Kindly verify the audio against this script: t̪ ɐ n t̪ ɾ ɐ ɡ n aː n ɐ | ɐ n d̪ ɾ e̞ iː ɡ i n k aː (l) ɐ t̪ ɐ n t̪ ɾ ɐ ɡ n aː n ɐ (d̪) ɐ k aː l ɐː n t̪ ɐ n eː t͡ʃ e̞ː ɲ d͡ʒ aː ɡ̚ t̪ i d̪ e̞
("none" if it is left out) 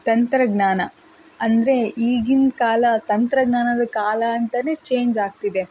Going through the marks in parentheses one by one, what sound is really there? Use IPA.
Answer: l, d̪

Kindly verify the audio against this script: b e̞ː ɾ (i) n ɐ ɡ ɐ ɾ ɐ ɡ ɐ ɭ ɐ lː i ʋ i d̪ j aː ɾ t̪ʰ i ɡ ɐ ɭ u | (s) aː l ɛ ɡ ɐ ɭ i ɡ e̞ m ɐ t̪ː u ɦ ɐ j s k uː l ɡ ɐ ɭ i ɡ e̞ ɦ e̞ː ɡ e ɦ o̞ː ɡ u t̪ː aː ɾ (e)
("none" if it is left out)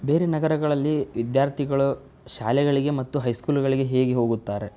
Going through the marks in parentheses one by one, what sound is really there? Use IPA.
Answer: e, ʃ, e

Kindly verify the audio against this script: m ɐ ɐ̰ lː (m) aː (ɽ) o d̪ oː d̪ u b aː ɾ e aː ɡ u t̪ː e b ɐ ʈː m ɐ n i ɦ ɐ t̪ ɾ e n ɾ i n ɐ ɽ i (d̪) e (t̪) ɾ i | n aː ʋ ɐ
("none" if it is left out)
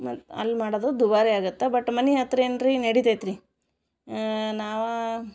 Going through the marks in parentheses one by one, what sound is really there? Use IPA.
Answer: m, ɽ, t̪, t̪

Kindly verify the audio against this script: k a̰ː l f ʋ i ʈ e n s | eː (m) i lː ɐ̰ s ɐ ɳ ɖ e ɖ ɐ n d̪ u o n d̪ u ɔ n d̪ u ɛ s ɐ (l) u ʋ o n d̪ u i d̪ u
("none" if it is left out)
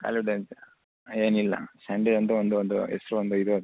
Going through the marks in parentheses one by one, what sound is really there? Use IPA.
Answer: n, ɾ

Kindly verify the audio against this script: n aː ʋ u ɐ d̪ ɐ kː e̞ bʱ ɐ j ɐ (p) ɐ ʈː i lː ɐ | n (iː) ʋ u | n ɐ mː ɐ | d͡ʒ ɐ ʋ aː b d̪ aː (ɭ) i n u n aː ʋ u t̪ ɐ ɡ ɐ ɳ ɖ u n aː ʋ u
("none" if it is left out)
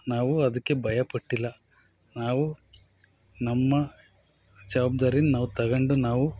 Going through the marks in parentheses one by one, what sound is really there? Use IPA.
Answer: p, aː, ɾ

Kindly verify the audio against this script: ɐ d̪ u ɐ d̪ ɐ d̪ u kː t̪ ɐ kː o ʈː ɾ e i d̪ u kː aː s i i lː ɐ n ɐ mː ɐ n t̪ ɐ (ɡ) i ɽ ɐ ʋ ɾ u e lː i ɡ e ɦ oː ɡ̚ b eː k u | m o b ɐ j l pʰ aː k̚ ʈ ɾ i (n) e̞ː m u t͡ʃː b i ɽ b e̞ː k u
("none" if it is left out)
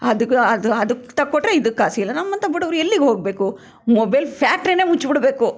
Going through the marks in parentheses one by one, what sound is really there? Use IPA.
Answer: b, n

